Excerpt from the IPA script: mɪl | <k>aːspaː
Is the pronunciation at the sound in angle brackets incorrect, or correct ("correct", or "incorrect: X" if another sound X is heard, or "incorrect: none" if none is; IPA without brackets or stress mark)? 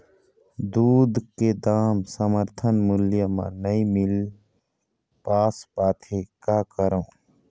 incorrect: p